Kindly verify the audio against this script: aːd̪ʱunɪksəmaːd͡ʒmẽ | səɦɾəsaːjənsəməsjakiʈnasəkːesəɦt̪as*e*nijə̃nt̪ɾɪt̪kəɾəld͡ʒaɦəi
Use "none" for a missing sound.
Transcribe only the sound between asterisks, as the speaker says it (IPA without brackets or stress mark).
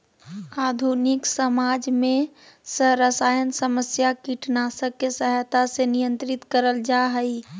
e